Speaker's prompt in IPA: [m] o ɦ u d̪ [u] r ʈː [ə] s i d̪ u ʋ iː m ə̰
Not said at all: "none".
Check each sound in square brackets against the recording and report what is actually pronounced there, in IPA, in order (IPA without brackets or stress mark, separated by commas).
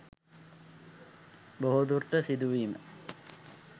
b, u, ə